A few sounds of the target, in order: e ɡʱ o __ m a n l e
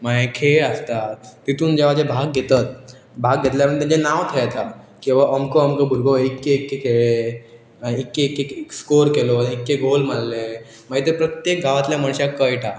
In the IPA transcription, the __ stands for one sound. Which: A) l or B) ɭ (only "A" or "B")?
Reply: A